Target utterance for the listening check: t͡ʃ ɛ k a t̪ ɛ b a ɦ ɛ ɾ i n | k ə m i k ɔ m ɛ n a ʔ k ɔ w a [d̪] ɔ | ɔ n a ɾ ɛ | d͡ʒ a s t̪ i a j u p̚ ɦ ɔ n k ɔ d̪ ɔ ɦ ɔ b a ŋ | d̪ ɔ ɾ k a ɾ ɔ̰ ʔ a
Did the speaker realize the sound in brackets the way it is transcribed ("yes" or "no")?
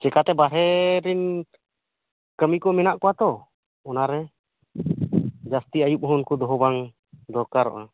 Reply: no